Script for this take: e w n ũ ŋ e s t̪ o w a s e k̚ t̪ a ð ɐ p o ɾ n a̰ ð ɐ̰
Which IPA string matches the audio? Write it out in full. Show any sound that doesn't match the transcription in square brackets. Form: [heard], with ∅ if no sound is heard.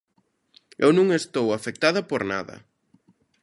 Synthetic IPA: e w n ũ ŋ e s t̪ o w a [f] e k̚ t̪ a ð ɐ p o ɾ n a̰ ð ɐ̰